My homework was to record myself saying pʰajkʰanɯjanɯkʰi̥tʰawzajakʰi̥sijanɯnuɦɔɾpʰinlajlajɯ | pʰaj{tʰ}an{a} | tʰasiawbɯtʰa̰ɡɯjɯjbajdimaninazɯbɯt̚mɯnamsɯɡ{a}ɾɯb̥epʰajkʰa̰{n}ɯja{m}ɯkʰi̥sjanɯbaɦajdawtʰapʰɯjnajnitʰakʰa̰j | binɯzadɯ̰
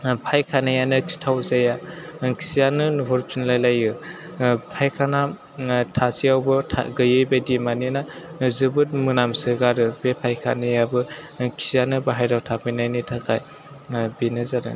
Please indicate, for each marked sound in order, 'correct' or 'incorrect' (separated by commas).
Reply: incorrect, correct, correct, correct, incorrect